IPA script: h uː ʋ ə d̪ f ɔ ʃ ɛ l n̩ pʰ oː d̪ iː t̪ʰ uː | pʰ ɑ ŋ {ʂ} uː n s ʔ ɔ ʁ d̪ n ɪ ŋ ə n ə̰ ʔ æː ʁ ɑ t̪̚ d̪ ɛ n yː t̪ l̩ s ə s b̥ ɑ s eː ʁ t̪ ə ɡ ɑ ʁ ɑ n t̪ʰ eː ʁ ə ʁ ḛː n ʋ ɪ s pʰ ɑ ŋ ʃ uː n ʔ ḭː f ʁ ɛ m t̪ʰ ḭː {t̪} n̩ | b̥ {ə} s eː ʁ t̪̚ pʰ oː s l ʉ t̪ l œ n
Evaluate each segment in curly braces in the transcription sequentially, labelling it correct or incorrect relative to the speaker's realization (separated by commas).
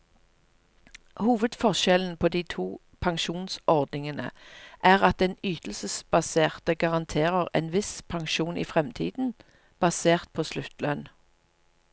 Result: incorrect, incorrect, incorrect